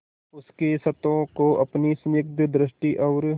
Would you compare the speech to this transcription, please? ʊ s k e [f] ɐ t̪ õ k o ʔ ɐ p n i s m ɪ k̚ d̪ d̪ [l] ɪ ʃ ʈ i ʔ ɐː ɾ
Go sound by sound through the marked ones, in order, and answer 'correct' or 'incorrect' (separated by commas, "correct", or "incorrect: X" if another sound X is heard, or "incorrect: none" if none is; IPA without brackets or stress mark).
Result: incorrect: s, incorrect: ɾ